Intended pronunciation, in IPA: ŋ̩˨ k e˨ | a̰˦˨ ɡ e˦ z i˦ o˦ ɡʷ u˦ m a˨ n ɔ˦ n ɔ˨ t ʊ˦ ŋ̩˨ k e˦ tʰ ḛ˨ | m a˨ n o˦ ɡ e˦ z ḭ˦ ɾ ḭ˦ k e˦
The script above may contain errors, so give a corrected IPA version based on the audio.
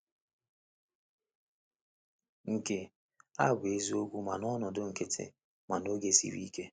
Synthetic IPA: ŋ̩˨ k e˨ | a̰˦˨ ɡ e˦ z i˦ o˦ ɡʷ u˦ m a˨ n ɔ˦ n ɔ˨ d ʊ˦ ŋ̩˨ k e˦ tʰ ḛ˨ | m a˨ n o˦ ɡ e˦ s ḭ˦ ɾ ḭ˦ k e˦